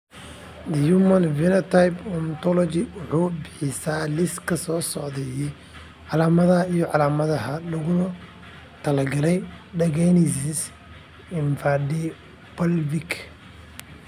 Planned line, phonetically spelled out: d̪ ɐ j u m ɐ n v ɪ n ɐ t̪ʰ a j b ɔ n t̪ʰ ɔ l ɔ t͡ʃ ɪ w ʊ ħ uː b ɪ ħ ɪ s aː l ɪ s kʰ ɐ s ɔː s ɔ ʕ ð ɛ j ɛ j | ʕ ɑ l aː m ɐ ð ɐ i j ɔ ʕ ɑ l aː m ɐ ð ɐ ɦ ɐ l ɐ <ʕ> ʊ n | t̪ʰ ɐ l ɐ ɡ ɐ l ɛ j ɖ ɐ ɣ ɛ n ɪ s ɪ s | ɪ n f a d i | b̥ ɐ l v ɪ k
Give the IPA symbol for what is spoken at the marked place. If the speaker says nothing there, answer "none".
ɣ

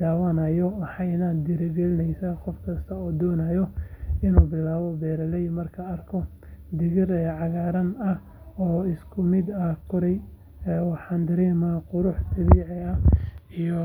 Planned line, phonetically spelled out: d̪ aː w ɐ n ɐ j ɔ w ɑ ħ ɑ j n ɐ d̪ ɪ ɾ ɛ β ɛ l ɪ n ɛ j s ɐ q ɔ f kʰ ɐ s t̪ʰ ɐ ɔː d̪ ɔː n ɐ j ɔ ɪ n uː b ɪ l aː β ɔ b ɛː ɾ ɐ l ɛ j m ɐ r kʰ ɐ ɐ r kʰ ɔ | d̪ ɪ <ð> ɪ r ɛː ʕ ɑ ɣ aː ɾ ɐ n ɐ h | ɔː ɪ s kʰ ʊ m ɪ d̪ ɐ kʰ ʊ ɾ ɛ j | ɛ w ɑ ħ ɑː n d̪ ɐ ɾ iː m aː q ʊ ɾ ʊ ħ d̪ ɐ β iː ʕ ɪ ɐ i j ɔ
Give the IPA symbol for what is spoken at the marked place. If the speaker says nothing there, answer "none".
ɣ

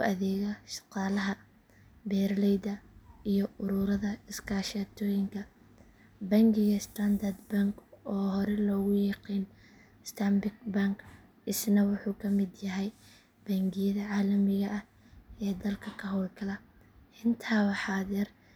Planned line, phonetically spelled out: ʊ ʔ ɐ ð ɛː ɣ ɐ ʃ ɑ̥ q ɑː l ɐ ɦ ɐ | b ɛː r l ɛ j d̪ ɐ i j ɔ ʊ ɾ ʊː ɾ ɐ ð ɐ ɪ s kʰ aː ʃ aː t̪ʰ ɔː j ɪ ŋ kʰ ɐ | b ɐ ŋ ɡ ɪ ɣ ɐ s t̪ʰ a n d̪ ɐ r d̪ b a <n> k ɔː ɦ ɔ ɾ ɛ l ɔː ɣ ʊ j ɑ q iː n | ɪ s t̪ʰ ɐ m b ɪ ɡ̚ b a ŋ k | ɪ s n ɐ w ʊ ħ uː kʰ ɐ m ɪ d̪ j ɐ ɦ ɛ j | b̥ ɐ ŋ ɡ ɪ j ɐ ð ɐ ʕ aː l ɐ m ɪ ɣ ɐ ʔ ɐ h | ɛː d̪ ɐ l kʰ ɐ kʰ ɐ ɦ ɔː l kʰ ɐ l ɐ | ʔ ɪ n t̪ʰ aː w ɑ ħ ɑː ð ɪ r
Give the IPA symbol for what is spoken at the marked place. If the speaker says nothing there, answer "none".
ŋ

